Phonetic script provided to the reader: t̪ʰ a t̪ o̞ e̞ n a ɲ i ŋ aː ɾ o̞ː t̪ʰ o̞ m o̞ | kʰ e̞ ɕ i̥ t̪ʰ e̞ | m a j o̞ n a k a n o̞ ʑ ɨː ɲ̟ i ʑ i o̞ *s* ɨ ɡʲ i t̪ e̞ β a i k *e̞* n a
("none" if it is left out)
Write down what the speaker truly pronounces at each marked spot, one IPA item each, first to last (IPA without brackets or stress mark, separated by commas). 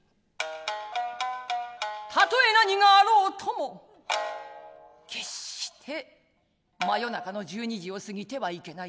s, e̞